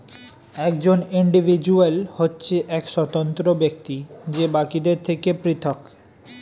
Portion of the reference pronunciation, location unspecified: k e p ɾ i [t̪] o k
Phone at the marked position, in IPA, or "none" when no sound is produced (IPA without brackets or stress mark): t̪ʰ